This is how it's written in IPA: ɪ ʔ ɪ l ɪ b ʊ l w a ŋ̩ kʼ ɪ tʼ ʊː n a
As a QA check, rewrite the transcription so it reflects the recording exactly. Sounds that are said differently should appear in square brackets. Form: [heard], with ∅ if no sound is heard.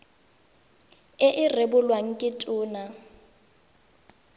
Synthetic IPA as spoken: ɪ ʔ ɪ [r] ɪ b ʊ l w a ŋ̩ kʼ ɪ tʼ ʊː n a